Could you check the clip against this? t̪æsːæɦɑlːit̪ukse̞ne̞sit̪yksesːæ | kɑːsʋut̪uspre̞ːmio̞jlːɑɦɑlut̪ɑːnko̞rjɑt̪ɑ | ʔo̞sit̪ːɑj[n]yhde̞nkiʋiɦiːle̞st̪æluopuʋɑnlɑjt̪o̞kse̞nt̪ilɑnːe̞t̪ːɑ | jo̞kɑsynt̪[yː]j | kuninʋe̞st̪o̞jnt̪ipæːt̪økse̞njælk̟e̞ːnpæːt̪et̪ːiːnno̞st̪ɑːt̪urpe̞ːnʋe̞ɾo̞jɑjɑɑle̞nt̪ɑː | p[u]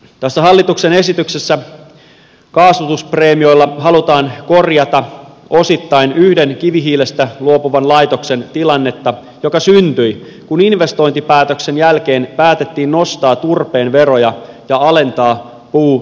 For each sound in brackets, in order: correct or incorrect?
correct, incorrect: y, incorrect: uː

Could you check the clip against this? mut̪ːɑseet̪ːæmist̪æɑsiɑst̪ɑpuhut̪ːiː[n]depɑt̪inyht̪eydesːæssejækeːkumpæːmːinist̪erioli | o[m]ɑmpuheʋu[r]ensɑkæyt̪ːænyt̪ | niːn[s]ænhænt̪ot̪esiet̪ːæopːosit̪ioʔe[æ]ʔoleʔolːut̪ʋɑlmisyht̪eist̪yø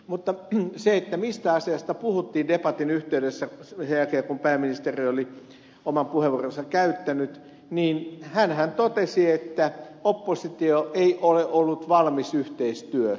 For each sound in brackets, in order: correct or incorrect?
correct, correct, correct, incorrect: h, incorrect: i

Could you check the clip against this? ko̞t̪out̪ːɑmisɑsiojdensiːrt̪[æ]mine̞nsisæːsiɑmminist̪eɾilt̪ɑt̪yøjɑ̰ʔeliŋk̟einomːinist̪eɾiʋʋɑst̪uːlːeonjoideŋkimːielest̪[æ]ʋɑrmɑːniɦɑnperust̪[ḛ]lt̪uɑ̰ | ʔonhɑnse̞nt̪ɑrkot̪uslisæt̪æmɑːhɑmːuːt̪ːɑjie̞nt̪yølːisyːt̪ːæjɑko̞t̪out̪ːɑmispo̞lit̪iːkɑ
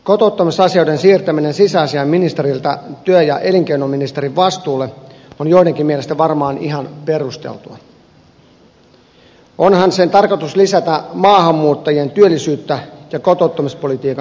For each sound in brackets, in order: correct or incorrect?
correct, correct, correct

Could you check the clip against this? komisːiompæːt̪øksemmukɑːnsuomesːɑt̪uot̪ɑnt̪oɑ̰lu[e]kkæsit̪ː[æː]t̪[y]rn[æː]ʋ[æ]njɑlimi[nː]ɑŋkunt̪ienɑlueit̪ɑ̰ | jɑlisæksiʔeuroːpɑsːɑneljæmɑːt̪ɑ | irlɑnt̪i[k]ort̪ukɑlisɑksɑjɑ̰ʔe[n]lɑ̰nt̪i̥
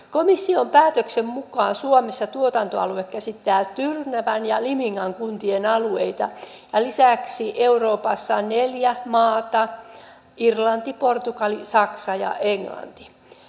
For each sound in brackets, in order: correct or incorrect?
correct, correct, correct, incorrect: æ, correct, incorrect: ŋː, incorrect: p, incorrect: ŋ

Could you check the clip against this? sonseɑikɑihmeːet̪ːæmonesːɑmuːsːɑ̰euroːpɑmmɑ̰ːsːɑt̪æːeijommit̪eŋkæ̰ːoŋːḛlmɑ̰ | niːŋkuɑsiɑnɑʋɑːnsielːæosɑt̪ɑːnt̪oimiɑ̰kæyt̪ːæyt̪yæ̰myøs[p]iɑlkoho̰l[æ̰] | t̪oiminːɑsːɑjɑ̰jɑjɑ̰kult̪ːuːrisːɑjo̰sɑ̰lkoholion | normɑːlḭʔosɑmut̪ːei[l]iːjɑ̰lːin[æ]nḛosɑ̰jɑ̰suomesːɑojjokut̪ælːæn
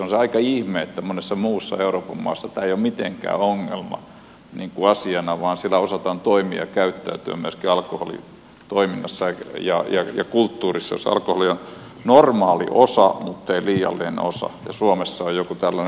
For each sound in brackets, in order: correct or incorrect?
incorrect: k, incorrect: ḭ, correct, incorrect: e

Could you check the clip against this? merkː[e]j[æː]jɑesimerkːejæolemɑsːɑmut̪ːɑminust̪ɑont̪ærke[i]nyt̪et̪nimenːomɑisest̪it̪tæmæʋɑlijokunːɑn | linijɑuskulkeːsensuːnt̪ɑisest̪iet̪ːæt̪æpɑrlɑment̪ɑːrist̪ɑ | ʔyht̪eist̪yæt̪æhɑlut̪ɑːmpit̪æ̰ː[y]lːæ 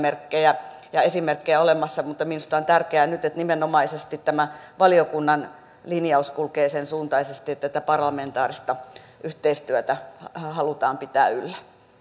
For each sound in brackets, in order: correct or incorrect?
correct, incorrect: æ, incorrect: æ, correct

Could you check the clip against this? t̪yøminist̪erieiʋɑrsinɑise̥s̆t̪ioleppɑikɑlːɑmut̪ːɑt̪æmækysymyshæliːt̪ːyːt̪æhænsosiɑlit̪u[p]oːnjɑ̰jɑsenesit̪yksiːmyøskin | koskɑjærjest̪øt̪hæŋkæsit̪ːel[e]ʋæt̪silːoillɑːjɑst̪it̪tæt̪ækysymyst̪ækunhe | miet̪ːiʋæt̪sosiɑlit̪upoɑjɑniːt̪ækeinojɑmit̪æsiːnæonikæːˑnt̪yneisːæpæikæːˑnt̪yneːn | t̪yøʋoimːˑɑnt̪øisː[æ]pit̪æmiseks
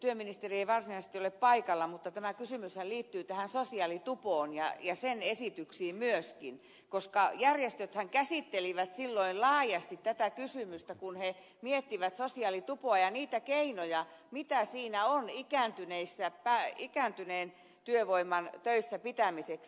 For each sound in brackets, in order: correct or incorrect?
correct, incorrect: i, correct

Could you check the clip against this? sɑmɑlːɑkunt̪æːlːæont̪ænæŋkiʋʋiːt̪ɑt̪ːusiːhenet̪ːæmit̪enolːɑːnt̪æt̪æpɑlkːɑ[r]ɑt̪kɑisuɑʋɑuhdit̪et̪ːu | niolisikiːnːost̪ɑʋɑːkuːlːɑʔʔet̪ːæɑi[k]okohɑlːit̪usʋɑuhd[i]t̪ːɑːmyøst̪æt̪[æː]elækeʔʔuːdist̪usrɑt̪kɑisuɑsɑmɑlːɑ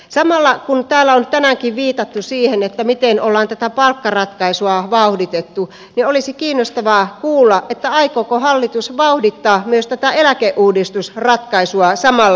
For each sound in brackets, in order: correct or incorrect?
correct, correct, correct, incorrect: æ

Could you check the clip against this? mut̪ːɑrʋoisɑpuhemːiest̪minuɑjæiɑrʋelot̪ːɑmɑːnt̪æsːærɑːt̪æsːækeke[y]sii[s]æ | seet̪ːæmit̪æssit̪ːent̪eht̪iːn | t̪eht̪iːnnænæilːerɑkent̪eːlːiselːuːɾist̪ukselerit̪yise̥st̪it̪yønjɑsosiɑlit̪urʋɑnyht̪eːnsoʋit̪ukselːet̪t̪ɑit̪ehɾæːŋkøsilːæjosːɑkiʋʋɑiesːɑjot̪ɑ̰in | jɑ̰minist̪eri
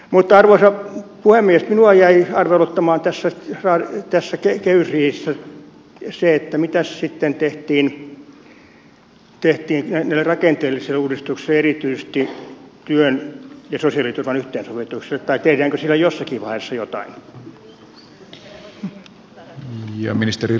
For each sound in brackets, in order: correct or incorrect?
correct, incorrect: sː

